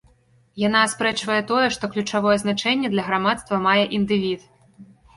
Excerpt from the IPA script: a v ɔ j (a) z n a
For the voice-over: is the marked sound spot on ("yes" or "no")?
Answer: no